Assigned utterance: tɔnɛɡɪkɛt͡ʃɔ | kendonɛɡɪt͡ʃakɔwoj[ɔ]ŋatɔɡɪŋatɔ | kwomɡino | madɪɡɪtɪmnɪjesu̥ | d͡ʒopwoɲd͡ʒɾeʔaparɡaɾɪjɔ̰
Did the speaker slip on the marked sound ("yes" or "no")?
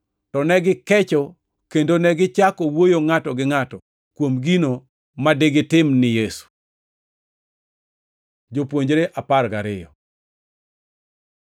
yes